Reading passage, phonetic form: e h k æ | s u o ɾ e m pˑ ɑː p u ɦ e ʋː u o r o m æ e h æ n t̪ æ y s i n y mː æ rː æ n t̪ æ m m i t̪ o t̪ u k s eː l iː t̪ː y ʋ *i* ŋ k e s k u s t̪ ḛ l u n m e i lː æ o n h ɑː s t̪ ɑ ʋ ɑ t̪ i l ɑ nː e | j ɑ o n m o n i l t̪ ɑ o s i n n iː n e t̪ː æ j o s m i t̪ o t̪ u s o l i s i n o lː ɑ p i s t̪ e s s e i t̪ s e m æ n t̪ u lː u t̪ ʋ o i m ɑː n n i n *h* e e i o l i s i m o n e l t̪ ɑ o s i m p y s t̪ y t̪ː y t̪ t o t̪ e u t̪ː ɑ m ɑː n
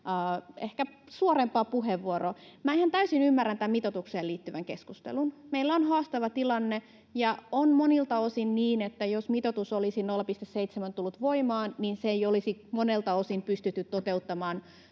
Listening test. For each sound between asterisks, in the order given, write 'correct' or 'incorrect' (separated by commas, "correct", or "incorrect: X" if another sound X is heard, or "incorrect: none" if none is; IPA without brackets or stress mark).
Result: incorrect: æ, incorrect: s